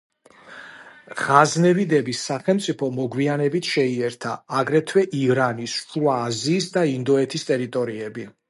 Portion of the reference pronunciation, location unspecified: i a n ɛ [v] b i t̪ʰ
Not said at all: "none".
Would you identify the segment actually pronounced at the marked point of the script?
none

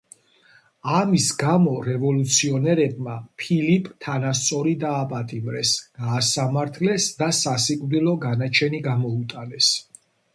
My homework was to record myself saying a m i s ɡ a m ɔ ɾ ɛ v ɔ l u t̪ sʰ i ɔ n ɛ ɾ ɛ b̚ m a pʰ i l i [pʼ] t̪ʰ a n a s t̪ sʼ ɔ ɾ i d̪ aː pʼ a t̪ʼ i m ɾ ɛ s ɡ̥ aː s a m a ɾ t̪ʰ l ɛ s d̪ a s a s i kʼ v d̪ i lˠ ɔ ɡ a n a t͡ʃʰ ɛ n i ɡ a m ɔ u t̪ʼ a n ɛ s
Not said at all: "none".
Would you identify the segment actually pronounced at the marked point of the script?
pʼ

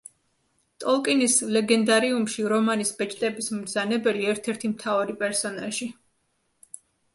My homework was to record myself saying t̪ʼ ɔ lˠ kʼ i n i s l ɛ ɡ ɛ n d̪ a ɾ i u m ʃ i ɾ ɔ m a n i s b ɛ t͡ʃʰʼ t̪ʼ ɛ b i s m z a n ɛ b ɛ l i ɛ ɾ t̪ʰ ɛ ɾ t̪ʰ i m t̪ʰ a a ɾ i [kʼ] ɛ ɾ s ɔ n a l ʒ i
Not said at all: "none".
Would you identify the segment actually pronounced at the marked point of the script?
pʼ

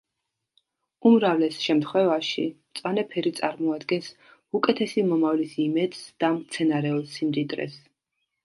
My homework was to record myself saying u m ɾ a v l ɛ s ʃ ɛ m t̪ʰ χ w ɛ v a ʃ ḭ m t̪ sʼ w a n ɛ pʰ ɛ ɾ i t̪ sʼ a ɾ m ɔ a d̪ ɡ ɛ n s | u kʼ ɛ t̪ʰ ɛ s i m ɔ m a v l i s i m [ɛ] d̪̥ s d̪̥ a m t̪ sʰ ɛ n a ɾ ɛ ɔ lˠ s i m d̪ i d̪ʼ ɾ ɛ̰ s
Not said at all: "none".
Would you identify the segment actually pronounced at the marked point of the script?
ɛ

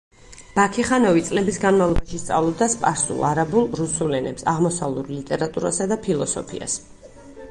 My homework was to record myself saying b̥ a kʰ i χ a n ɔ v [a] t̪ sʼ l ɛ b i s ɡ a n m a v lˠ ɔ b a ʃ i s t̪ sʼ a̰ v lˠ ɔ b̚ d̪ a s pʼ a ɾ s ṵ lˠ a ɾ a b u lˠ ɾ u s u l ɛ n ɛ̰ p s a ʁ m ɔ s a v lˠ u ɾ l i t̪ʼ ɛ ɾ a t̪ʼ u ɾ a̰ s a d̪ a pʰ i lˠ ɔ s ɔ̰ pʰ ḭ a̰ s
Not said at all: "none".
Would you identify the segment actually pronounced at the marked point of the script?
i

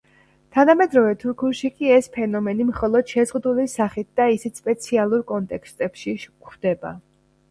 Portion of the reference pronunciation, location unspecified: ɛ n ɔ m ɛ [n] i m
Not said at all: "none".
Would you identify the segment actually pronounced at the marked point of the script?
n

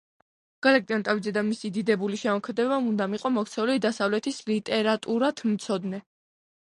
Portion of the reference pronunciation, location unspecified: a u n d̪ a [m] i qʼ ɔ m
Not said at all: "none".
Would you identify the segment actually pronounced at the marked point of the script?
m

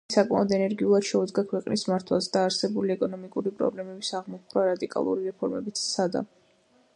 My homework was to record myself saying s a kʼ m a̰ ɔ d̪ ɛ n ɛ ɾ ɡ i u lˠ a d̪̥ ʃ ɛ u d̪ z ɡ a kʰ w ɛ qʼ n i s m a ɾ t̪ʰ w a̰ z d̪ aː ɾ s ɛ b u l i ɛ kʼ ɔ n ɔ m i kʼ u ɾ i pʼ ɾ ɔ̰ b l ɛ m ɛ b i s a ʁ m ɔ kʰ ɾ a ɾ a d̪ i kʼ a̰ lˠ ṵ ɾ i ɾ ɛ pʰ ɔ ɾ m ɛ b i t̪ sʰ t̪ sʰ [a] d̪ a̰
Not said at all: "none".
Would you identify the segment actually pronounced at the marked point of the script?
a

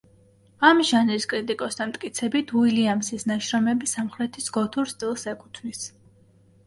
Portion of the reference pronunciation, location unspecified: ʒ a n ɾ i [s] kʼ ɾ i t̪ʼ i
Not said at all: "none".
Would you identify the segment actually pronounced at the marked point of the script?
s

